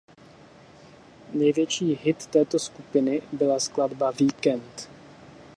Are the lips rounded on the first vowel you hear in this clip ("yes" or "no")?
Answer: no